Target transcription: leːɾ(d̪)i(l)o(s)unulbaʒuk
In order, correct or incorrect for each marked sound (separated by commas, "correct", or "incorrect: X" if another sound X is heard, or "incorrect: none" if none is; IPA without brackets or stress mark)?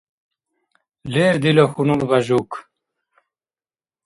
correct, correct, incorrect: x